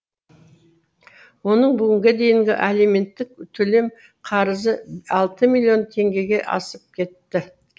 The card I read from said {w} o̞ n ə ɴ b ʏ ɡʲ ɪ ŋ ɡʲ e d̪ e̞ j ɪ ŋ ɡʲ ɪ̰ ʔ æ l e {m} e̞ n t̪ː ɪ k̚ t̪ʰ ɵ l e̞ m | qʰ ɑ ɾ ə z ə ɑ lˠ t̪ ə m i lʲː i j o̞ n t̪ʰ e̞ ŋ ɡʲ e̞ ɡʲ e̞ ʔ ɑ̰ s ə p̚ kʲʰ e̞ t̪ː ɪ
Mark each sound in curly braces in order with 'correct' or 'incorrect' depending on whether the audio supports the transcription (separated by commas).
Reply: correct, correct